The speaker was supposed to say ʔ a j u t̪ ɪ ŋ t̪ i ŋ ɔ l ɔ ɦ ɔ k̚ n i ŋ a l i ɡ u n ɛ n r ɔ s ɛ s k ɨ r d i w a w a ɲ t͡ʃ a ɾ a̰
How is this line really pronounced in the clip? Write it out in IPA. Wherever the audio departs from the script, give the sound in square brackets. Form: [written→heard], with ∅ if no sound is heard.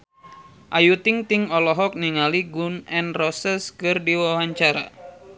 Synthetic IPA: ʔ a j u t̪ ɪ ŋ t̪ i ŋ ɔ l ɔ ɦ ɔ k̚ n i ŋ a l i ɡ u n ɛ n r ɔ s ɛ s k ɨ r d i w a w a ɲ t͡ʃ a ɾ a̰